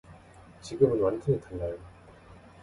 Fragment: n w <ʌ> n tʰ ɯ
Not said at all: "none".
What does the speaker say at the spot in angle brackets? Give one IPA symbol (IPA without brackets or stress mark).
a